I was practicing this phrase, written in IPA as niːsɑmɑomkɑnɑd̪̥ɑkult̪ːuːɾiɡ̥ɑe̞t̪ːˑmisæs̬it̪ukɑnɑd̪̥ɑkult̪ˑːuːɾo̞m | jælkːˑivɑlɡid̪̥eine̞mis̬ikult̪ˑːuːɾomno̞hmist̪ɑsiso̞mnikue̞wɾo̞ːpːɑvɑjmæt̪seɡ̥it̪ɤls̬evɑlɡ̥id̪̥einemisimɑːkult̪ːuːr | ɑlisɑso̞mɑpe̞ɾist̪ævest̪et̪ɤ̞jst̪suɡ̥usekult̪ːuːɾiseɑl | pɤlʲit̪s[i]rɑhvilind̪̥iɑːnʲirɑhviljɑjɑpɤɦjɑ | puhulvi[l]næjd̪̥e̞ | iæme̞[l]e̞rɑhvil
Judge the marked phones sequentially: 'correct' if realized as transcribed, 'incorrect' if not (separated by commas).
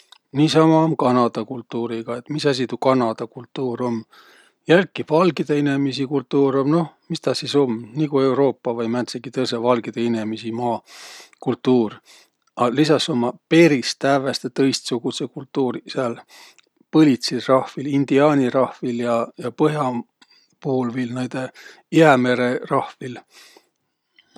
correct, correct, incorrect